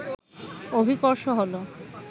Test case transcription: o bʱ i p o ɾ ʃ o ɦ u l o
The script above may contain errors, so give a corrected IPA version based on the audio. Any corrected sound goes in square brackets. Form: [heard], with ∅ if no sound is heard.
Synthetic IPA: o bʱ i [k] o ɾ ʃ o ɦ [o] l o